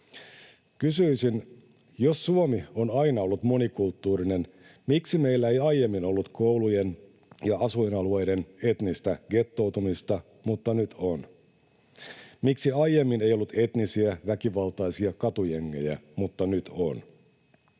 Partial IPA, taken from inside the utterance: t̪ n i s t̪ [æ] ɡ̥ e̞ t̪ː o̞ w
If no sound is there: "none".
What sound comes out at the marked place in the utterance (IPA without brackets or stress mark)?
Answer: æ